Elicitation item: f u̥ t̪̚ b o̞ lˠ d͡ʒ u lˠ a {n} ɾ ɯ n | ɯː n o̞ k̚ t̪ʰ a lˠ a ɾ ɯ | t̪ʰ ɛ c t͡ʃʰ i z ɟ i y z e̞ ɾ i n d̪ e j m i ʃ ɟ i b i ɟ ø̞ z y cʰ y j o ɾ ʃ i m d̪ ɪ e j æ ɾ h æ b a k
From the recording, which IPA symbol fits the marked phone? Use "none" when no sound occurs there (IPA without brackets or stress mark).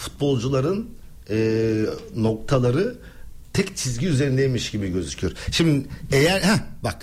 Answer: none